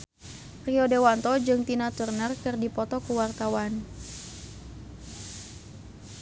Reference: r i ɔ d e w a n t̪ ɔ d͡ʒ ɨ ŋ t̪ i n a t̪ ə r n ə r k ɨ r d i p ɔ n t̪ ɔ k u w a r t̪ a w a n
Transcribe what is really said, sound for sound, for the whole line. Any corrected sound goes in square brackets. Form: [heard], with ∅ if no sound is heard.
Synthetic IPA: r i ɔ d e w a n t̪ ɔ d͡ʒ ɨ ŋ t̪ i n a t̪ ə r n ə r k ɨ r d i p ɔ [∅] t̪ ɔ k u w a r t̪ a w a n